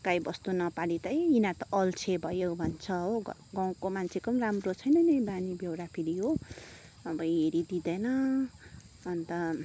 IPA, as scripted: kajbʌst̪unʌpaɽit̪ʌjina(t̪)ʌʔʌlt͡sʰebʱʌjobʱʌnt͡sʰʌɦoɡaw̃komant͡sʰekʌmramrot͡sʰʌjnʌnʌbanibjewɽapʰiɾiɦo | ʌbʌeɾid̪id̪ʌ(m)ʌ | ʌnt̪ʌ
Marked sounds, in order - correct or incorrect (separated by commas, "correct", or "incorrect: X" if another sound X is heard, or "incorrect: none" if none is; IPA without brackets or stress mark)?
correct, incorrect: n